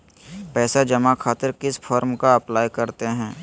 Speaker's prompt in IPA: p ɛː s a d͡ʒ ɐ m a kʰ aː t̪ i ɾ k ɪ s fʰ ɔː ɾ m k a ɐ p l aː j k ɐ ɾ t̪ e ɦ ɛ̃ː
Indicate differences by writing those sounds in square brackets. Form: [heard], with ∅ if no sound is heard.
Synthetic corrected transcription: p ɛː s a d͡ʒ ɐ m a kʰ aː t̪ [ɪ] ɾ k ɪ s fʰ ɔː ɾ m k a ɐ p l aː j k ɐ ɾ t̪ e ɦ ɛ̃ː